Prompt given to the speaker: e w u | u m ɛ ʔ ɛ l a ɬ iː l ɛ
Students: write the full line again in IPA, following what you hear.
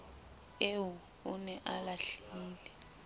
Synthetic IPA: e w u | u n ɛ ʔ a l a ɬ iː l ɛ